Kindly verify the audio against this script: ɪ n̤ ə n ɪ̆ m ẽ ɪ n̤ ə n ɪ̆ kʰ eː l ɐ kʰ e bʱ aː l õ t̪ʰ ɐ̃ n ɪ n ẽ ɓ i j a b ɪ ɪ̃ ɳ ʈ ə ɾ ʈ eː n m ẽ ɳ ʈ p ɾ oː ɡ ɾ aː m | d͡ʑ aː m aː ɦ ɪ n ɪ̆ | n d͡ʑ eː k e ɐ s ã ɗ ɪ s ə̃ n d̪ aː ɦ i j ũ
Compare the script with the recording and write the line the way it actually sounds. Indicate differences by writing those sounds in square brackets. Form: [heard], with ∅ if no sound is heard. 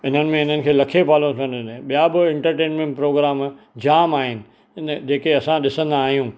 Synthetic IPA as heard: ɪ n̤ ə n ɪ̆ m ẽ ɪ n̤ ə n ɪ̆ kʰ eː l ɐ kʰ e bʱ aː l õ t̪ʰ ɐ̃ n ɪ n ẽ ɓ i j a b ɪ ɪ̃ ɳ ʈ ə ɾ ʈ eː n m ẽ ɳ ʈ p ɾ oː ɡ ɾ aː m | d͡ʑ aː m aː ɦ ɪ n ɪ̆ | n d͡ʑ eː k e ɐ s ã ɗ ɪ s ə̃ n d̪ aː ɦ i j ũ